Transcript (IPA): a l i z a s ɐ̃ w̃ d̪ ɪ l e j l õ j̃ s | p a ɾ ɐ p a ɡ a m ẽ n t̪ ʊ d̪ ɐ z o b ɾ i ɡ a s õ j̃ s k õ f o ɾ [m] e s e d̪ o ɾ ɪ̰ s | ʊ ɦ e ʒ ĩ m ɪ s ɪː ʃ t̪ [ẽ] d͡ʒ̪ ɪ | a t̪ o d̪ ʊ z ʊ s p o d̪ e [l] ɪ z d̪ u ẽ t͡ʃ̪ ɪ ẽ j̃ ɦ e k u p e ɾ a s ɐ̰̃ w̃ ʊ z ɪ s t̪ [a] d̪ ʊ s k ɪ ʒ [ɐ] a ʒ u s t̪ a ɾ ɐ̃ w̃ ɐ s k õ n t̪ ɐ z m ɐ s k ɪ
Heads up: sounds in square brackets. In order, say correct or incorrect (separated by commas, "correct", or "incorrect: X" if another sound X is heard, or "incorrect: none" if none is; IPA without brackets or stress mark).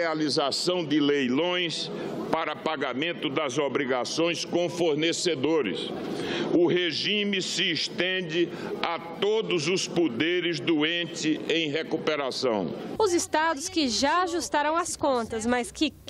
incorrect: n, correct, incorrect: ɾ, correct, incorrect: a